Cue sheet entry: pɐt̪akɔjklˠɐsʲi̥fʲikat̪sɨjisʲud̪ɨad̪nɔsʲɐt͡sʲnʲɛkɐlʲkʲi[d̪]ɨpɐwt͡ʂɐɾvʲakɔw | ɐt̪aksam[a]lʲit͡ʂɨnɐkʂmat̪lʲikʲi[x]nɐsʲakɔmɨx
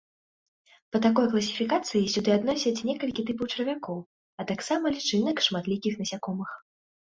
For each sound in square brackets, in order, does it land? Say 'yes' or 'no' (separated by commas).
no, no, yes